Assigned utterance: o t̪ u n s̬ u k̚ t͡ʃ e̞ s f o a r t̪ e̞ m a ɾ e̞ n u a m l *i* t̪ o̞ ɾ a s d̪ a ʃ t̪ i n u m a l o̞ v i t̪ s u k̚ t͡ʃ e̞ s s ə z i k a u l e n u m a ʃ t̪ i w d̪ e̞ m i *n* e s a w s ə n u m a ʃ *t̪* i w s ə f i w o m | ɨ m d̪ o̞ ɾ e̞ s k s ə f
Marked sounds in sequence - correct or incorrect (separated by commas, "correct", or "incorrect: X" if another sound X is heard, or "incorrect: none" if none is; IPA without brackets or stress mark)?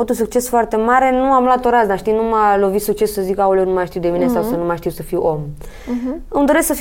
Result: incorrect: a, correct, correct